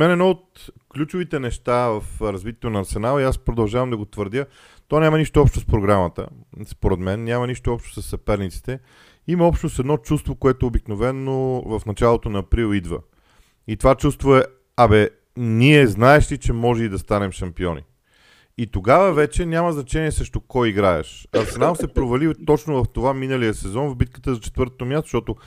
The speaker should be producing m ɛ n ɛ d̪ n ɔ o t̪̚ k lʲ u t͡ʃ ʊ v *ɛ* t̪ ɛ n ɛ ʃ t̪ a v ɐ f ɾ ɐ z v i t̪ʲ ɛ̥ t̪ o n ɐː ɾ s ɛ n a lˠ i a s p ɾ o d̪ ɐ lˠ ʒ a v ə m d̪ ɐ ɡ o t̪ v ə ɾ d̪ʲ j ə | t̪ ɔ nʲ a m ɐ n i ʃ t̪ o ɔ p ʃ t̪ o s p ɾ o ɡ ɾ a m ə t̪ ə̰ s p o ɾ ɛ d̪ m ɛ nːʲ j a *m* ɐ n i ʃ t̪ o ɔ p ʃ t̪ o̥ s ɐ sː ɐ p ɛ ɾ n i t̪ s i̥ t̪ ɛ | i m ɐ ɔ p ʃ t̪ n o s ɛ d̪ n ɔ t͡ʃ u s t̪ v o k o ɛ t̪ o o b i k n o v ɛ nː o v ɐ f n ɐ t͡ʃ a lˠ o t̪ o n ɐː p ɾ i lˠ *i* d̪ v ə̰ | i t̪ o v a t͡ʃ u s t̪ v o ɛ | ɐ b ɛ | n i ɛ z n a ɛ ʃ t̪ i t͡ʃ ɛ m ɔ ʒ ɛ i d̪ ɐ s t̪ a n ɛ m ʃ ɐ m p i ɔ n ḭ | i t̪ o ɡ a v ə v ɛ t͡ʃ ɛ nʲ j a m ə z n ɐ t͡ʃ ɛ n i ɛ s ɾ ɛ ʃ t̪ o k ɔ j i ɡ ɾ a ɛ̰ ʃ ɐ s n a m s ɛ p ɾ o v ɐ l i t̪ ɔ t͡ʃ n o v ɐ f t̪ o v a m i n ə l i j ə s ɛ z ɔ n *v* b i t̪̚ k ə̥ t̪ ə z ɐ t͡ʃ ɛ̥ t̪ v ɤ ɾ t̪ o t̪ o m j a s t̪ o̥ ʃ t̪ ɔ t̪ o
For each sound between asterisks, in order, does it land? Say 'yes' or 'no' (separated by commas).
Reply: no, yes, yes, yes